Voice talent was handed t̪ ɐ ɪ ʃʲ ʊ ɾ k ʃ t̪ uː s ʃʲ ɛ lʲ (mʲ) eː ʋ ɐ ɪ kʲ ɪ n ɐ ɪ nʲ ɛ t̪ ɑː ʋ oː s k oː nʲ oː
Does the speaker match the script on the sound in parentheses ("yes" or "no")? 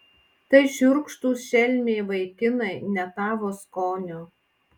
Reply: yes